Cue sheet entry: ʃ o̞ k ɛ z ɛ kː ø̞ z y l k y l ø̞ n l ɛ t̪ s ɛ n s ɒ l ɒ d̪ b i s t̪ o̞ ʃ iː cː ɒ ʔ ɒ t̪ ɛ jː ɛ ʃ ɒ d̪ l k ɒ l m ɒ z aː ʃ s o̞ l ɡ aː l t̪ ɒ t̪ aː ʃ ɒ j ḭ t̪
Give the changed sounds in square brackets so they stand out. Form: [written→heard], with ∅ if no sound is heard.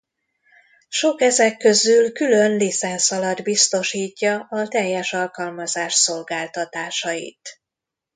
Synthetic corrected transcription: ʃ o̞ k ɛ z ɛ kː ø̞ z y l k y l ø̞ n l [ɛ→i] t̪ s ɛ n s ɒ l ɒ d̪ b i s t̪ o̞ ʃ iː cː ɒ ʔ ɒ t̪ ɛ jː ɛ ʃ ɒ [d̪→∅] l k ɒ l m ɒ z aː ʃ s o̞ l ɡ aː l t̪ ɒ t̪ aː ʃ ɒ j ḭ t̪